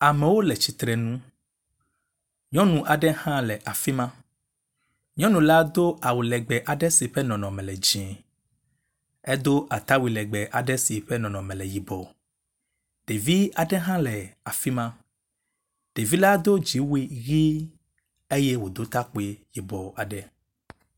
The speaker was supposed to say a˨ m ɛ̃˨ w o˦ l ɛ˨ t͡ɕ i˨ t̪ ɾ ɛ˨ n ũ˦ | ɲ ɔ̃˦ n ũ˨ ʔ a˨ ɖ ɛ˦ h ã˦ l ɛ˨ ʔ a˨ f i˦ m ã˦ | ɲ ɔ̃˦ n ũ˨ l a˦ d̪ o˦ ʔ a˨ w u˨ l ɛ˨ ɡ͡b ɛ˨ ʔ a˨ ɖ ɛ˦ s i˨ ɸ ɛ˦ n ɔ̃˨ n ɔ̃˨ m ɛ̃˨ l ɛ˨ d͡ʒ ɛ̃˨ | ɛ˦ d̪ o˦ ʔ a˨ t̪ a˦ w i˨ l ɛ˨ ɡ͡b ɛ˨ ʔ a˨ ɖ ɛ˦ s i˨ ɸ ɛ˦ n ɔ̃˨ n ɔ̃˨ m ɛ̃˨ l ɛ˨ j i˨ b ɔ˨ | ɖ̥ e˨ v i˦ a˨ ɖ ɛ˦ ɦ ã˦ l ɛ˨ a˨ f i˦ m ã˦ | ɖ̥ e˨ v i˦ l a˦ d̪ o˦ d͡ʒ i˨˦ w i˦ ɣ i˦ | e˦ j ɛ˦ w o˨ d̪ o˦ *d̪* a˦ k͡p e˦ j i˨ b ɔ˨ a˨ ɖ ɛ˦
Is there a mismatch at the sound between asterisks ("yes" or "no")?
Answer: yes